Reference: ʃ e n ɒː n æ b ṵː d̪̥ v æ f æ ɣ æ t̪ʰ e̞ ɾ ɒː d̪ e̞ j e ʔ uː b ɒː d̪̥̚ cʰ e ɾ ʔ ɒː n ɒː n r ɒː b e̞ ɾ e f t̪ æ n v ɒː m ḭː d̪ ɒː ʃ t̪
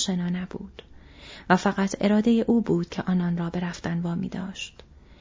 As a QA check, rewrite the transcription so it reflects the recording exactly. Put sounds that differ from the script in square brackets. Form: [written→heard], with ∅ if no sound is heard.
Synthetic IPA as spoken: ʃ e n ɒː n æ b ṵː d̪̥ v æ f æ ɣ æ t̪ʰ e̞ ɾ ɒː d̪ e̞ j e ʔ uː b [ɒː→uː] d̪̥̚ cʰ e [ɾ→∅] ʔ ɒː n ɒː n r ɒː b e̞ ɾ [e→æ] f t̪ æ n v ɒː m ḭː d̪ ɒː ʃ t̪